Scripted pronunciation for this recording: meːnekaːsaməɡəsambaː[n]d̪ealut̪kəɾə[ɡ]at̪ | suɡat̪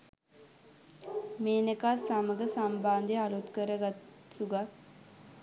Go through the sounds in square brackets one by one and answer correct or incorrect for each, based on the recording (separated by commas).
correct, correct